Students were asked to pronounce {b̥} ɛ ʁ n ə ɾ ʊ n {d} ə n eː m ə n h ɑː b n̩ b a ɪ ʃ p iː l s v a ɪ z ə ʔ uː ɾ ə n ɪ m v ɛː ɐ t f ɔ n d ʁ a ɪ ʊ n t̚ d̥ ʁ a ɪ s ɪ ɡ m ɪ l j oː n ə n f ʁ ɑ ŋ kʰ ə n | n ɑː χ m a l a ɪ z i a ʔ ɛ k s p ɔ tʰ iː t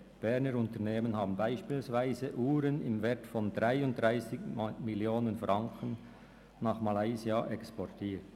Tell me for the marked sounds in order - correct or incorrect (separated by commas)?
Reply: correct, incorrect